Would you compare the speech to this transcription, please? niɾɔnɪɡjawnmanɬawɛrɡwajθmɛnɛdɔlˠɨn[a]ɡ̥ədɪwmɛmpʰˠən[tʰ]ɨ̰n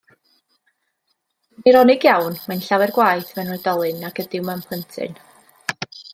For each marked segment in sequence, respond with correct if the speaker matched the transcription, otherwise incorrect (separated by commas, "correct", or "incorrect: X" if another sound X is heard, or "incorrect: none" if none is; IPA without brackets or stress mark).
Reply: correct, correct